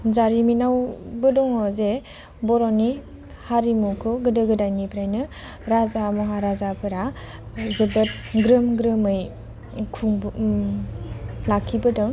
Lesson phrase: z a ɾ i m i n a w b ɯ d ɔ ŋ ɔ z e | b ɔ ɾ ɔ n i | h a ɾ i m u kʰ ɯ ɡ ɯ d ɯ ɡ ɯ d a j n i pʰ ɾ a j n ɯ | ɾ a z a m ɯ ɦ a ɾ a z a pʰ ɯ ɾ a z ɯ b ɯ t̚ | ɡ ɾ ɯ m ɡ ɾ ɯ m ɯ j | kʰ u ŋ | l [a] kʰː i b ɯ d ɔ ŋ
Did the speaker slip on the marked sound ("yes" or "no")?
no